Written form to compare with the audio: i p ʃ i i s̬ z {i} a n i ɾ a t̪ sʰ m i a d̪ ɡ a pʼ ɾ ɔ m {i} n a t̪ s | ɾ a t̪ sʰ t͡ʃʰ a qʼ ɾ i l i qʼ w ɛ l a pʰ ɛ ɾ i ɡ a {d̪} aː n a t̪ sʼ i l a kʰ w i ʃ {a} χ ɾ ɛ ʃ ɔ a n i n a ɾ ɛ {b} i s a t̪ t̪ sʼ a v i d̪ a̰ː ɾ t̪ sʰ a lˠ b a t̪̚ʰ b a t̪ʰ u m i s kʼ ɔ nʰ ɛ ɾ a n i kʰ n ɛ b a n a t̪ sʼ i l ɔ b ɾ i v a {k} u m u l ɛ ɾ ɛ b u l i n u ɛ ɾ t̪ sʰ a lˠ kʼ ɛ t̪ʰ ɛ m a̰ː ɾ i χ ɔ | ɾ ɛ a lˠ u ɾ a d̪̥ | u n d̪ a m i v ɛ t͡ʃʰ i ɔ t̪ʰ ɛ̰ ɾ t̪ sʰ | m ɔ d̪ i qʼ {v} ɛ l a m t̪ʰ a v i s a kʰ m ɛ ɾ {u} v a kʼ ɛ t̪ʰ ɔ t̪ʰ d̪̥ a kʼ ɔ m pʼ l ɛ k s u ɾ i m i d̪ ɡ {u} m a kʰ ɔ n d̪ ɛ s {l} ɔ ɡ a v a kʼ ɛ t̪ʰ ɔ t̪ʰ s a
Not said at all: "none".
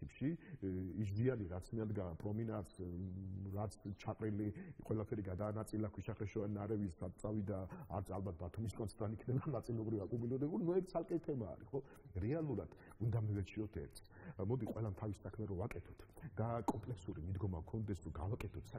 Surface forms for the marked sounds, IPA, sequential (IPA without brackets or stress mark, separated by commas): i, i, d̪, a, v, kʼ, w, ɔ, ɔ, ɾ